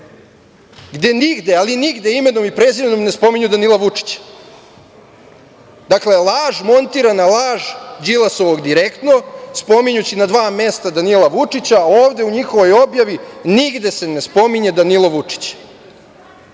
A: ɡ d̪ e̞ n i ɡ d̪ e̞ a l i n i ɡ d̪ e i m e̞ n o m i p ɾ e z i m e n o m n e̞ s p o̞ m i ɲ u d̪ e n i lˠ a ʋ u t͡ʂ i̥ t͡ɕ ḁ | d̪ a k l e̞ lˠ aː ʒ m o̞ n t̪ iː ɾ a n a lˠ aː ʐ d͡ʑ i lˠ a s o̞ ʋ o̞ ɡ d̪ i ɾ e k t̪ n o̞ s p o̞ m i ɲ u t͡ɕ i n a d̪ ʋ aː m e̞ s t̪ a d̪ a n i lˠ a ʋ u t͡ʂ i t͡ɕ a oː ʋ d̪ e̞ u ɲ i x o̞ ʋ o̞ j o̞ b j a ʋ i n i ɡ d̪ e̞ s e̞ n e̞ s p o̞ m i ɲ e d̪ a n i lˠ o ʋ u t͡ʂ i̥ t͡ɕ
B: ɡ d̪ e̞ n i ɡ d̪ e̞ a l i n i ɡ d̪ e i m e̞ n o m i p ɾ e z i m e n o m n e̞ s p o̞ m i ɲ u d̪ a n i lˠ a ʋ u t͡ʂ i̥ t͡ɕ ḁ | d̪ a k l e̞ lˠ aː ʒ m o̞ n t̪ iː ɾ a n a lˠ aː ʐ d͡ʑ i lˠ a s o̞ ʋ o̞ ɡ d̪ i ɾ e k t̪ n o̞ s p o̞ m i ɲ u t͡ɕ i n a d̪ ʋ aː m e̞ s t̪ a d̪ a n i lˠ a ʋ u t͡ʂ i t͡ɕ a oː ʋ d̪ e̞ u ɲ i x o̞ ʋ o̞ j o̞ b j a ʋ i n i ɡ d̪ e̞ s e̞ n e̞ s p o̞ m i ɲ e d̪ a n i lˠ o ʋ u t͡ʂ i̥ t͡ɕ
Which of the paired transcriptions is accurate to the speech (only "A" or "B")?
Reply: B